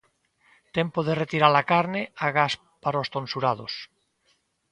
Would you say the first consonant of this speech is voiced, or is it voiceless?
voiceless